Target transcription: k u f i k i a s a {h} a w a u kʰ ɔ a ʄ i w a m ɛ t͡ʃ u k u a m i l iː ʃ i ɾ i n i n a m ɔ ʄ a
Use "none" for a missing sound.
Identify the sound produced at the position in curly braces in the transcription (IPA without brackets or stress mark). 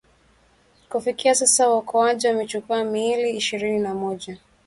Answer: s